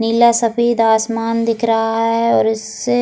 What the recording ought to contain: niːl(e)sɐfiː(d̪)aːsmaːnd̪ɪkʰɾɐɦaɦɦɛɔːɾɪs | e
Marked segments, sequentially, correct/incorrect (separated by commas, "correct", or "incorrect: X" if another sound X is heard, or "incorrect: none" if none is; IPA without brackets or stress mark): incorrect: a, correct